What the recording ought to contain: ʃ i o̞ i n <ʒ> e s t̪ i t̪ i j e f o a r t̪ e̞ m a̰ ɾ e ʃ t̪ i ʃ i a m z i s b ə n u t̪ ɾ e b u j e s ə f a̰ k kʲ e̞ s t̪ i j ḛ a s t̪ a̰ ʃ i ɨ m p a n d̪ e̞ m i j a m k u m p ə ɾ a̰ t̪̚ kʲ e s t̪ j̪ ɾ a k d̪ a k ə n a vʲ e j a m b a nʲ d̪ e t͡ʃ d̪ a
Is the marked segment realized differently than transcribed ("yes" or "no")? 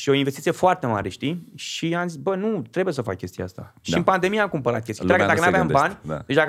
yes